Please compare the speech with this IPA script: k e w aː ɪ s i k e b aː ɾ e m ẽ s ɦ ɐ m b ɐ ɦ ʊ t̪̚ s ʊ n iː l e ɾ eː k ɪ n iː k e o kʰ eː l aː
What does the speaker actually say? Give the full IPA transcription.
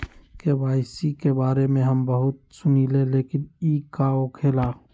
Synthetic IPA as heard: k e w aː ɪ s i k e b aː ɾ e m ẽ ɦ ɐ m b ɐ ɦ ʊ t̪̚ s ʊ n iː l e l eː k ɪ n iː k a o kʰ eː l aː